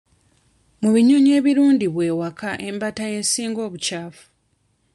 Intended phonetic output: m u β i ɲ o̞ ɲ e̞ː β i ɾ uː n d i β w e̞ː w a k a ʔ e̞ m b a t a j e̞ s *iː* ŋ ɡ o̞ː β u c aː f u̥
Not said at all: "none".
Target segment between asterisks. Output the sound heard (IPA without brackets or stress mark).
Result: iː